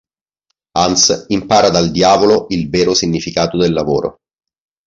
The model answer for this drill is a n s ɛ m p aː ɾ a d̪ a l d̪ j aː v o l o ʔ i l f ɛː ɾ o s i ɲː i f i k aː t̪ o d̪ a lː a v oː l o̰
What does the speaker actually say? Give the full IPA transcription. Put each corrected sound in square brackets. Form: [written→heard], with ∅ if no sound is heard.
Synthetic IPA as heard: a n s [ɛ→i] m p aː ɾ a d̪ a l d̪ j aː v o l o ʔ i l [f→v] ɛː ɾ o s i ɲː i f i k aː t̪ o d̪ [a→e] lː a v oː [l→ɾ] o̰